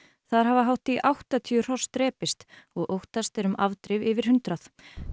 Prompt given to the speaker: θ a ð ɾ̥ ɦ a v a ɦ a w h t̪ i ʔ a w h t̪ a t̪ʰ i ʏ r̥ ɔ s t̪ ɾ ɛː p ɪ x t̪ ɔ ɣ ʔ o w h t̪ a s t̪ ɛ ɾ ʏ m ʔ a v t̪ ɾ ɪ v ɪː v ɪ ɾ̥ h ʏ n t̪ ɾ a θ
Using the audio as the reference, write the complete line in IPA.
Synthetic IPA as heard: θ a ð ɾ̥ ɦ a v a ɦ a w h t̪ i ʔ a w h t̪ a t̪ʰ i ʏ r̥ ɔ s t̪ ɾ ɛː p ɪ s t̪ ɔ ɣ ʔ o w h t̪ a s t̪ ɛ ɾ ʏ m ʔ a v t̪ ɾ ɪ v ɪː v ɪ ɾ̥ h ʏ n t̪ ɾ a θ